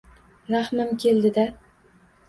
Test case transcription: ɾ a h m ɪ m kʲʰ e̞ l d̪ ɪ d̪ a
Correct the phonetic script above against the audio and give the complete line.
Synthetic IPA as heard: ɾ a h m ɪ m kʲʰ e̞ l d̪ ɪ d̪ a